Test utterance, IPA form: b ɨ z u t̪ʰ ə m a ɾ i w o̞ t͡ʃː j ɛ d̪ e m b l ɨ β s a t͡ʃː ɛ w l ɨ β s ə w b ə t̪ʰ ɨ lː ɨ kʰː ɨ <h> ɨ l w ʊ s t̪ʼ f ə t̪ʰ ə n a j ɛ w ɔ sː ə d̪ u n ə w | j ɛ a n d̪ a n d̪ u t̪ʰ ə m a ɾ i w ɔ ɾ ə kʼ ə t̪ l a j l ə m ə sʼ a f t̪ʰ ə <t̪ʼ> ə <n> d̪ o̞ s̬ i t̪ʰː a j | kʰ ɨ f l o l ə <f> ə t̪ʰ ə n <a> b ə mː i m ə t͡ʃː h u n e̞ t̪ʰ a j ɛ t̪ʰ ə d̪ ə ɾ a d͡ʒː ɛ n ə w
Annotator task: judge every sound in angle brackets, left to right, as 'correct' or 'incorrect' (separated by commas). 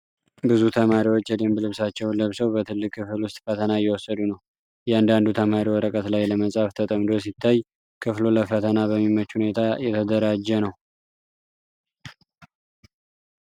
incorrect, correct, incorrect, correct, correct